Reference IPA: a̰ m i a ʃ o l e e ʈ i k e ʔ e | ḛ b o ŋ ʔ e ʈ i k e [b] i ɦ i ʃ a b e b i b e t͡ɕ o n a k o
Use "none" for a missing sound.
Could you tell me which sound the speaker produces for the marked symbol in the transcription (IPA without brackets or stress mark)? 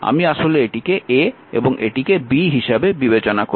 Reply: b